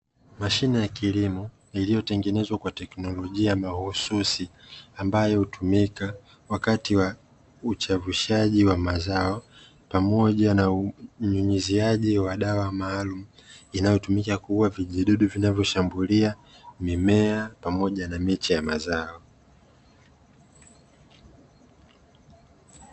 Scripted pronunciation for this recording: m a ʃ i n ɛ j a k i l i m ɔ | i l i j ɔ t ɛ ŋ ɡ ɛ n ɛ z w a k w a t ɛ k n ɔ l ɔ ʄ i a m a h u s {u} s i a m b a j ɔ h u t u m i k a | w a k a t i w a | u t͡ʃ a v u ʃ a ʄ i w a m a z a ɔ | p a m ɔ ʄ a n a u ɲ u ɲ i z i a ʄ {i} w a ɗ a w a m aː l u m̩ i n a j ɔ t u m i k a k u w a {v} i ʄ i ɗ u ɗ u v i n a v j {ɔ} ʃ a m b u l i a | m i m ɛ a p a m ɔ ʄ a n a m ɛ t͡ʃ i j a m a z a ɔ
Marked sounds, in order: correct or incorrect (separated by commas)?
correct, correct, correct, correct